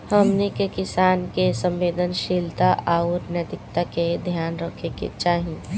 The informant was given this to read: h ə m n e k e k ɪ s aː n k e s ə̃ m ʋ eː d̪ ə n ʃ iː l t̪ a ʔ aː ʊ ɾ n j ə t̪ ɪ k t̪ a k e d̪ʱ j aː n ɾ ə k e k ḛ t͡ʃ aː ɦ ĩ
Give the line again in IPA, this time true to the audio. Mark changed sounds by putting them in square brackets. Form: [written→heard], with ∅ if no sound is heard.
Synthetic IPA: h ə m n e k e k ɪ s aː n k e s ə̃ m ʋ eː d̪ ə n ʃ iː l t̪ a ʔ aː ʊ ɾ n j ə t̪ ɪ k t̪ a k e d̪ʱ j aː n ɾ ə [k→kʰ] e k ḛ t͡ʃ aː ɦ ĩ